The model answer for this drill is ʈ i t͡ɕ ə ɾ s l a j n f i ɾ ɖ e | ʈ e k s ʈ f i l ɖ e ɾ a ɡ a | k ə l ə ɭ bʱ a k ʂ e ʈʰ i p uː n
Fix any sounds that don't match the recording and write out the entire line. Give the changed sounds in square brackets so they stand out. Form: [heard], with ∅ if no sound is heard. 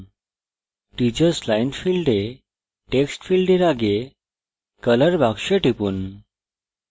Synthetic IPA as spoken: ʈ i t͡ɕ ə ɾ s l a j n f i [l] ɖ e | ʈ e k s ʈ f i l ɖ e ɾ a ɡ [e] | k ə l ə [ɾ] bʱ a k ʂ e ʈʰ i p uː n

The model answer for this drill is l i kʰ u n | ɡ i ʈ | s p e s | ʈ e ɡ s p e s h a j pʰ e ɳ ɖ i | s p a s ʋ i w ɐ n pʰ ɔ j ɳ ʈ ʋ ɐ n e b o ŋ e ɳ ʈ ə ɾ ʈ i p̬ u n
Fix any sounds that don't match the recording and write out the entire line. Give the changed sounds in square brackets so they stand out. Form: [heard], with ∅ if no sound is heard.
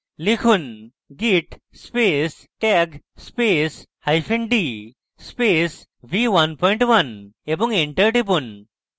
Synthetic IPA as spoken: l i kʰ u n | ɡ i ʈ | s p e s | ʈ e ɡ s p e s h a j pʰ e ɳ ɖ i | s p [e] s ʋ i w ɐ n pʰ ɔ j ɳ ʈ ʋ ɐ n e b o ŋ e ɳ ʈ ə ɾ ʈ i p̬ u n

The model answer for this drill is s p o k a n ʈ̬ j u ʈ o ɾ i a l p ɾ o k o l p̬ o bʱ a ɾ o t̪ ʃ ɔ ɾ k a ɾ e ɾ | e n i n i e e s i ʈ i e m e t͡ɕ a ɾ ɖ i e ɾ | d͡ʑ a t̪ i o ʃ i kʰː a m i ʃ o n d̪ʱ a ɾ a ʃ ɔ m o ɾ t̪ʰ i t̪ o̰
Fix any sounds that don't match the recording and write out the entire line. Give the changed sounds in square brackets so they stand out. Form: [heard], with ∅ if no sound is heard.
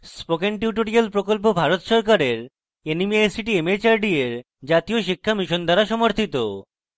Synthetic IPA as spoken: s p o k [e] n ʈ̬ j u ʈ o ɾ i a l p ɾ o k o l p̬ o bʱ a ɾ o t̪ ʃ ɔ ɾ k a ɾ e ɾ | e n i [m] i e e s i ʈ i e m e t͡ɕ a ɾ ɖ i e ɾ | d͡ʑ a t̪ i o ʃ i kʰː a m i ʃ o n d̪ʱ a ɾ a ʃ ɔ m o ɾ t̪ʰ i t̪ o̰

